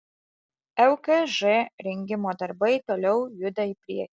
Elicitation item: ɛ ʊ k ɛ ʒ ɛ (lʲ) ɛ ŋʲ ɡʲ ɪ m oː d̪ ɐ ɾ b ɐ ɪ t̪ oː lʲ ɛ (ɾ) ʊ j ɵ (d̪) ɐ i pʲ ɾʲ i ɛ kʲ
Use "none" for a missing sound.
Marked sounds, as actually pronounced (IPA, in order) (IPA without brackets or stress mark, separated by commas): ɾʲ, none, d̪